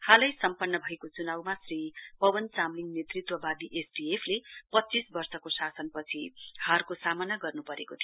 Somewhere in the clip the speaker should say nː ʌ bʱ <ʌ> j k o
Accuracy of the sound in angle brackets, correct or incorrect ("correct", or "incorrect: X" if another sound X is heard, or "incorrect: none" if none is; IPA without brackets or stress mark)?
correct